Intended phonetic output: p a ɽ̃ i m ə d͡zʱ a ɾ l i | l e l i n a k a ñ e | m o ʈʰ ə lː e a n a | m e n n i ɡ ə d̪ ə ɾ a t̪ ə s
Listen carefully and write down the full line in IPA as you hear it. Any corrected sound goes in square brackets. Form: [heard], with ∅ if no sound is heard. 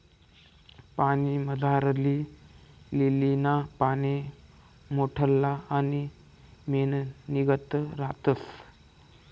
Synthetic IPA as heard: p a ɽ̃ i m ə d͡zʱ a ɾ l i | l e l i n a [p] a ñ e | m o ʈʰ ə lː [a] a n [i] | m e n n i ɡ ə [t̪] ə ɾ a t̪ ə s